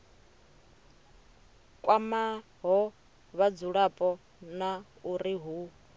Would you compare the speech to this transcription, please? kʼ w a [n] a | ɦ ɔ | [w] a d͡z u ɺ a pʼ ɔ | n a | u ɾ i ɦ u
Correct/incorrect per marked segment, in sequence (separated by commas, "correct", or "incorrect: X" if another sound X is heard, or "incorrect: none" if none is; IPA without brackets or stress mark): incorrect: m, incorrect: β